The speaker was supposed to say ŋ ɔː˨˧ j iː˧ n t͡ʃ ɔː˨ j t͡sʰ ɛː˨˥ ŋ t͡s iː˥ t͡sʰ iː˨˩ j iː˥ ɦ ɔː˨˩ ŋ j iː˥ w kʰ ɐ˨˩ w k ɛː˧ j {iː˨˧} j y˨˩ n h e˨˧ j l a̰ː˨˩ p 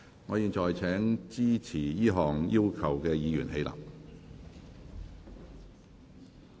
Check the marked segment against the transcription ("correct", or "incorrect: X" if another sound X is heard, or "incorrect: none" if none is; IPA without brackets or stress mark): correct